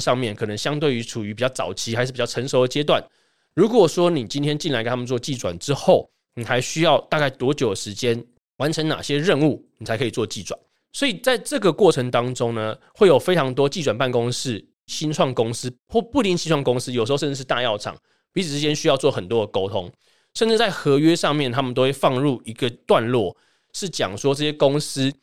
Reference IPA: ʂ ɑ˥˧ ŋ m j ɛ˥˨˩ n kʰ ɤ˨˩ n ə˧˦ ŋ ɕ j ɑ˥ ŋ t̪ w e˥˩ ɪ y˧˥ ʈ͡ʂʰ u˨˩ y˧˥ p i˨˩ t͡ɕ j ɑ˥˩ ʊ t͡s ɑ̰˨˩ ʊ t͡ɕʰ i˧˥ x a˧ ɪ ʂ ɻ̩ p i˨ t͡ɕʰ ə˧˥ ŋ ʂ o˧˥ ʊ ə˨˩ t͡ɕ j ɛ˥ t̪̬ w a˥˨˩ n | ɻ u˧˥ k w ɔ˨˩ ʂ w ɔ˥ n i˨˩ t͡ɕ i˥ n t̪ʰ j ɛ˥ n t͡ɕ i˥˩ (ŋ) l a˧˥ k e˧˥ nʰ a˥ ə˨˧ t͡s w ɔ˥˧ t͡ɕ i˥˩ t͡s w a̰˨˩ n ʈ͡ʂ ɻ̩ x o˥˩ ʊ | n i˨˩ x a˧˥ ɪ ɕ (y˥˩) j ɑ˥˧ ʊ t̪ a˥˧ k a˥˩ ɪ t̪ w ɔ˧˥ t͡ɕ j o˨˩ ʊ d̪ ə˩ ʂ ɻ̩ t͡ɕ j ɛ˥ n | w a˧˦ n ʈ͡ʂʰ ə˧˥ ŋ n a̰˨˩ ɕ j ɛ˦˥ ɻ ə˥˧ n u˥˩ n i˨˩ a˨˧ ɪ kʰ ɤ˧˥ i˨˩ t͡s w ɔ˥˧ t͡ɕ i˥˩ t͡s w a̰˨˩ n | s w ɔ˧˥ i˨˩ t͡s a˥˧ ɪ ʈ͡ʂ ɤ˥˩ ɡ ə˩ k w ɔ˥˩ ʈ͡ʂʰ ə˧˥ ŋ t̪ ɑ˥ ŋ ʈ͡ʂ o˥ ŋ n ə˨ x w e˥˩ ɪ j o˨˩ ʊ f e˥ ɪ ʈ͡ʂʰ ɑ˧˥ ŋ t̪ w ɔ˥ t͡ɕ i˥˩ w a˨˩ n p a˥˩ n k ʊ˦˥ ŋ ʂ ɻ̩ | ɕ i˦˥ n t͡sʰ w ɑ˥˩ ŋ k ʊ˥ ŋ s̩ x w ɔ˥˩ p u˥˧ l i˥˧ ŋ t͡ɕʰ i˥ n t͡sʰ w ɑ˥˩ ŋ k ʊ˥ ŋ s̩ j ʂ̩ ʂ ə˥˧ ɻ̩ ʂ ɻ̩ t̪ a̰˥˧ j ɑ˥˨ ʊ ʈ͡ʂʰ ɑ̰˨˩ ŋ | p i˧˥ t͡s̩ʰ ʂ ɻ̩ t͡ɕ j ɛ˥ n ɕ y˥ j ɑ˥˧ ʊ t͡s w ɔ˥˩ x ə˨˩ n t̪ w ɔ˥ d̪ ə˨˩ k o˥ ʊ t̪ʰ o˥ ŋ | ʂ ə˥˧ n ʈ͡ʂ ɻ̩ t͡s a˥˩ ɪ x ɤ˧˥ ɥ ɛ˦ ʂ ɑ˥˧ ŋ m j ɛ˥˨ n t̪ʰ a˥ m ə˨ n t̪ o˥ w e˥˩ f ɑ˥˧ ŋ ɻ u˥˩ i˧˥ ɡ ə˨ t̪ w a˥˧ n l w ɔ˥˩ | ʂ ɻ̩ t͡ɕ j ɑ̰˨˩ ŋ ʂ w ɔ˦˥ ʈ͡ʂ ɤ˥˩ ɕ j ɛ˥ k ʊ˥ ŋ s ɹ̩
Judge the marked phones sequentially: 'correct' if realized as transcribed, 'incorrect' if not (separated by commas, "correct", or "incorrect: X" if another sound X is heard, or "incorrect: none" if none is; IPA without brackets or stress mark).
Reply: incorrect: n, incorrect: y˥